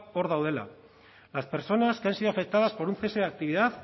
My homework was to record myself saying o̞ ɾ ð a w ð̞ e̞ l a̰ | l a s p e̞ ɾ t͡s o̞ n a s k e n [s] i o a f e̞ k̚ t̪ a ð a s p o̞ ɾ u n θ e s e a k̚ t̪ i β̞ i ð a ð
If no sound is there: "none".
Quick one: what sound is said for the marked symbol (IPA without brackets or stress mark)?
s